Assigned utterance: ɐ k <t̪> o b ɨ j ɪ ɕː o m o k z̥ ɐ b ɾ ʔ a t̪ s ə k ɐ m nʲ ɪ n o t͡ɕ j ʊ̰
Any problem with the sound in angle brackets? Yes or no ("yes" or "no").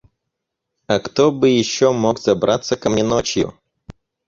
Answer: no